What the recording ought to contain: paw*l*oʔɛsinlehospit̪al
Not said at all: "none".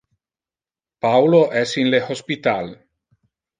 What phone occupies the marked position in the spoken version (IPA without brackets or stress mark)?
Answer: l